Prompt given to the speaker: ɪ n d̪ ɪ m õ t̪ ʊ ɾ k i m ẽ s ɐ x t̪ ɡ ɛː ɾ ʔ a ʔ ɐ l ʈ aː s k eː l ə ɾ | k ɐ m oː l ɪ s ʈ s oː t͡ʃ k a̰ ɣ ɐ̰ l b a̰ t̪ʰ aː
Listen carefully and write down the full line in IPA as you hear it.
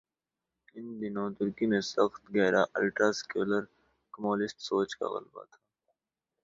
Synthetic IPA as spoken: ɪ n d̪ ɪ n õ t̪ ʊ ɾ k i m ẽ s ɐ x t̪ ɡ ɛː ɾ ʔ a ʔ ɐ l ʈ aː s k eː l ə ɾ | k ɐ m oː l ɪ s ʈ s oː t͡ʃ k a̰ ɣ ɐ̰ l b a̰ t̪ʰ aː